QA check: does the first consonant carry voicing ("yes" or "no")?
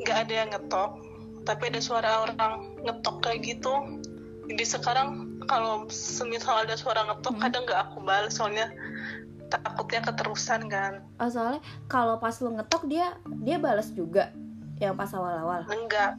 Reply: yes